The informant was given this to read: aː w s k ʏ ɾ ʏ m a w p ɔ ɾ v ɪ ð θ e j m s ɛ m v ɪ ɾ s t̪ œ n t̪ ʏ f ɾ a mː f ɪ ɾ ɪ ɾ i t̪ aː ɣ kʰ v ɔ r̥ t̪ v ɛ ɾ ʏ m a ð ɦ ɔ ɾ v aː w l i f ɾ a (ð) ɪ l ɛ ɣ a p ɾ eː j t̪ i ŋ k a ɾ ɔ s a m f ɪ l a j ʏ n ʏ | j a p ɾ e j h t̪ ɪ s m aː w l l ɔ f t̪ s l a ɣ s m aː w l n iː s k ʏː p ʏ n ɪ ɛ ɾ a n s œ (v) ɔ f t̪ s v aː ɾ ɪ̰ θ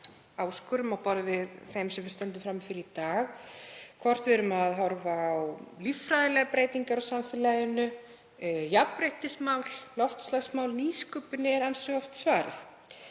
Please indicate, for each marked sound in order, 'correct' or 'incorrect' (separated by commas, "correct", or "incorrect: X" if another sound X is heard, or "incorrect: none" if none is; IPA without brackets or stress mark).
correct, incorrect: ɣ